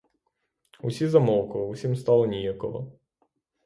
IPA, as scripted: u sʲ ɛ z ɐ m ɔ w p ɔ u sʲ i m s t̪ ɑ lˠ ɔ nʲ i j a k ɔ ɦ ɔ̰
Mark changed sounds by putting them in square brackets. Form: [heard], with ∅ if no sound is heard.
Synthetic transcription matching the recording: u sʲ [i] z ɐ m ɔ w [k] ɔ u sʲ i m s t̪ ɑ lˠ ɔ nʲ i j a k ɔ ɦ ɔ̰